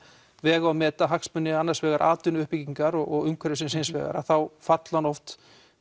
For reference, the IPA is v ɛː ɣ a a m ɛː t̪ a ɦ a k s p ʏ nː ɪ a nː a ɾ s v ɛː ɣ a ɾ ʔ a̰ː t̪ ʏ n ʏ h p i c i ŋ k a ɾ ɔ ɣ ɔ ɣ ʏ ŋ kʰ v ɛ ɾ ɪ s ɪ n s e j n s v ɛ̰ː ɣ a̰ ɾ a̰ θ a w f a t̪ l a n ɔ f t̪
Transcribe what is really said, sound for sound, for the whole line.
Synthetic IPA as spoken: v ɛː ɣ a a m ɛː t̪ a ɦ a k s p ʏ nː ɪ a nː a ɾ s v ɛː ɣ a ɾ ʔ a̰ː t̪ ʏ n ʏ h p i c i ŋ k a ɾ ɔ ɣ ɔ ɣ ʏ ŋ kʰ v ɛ ɾ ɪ s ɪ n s e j n s v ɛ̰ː ɣ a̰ ɾ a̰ θ a w f a t̪ l a n ɔ f t̪